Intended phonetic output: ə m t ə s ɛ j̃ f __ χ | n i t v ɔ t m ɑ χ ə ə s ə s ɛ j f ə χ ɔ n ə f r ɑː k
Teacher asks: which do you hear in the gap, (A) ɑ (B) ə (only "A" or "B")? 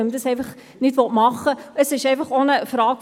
B